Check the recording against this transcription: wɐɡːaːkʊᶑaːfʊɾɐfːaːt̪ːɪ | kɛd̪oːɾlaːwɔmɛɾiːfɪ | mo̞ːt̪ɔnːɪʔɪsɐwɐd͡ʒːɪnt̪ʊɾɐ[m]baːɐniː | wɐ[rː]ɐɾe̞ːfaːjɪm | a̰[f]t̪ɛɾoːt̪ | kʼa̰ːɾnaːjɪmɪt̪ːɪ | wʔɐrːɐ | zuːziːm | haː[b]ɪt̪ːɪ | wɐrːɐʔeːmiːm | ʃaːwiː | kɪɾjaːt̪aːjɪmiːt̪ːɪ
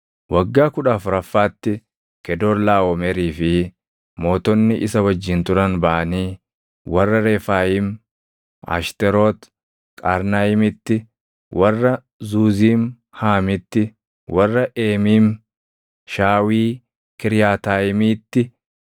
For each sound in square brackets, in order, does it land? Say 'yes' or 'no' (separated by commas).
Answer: no, yes, no, no